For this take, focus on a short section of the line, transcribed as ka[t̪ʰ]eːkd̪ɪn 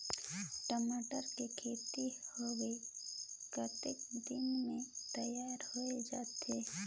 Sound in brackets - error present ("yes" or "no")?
yes